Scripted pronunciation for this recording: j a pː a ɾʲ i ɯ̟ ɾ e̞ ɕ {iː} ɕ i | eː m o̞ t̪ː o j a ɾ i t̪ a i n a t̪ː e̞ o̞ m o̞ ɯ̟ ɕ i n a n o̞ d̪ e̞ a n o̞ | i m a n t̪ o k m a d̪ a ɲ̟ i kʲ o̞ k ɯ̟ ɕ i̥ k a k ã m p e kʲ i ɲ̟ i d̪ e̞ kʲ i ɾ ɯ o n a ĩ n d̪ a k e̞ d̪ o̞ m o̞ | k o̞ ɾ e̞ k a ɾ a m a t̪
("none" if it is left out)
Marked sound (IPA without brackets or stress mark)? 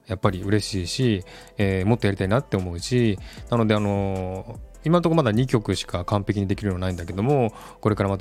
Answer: iː